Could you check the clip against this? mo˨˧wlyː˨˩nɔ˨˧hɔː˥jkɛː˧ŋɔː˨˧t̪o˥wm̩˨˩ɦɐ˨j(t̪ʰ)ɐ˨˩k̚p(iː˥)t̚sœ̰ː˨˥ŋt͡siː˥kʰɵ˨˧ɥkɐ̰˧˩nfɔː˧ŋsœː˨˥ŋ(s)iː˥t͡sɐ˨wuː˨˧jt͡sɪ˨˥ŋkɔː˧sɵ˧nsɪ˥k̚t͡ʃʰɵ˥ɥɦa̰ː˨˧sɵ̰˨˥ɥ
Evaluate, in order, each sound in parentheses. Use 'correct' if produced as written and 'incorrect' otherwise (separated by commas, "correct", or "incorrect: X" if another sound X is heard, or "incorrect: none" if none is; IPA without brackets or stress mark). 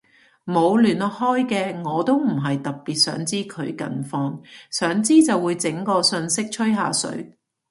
incorrect: t̪, incorrect: iː˨, incorrect: t͡s